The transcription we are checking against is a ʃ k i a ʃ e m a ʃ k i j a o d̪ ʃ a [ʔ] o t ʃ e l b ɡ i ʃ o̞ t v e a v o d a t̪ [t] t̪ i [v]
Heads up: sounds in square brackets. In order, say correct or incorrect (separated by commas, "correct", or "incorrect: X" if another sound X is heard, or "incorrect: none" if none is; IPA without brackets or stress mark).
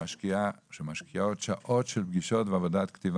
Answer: correct, incorrect: k, correct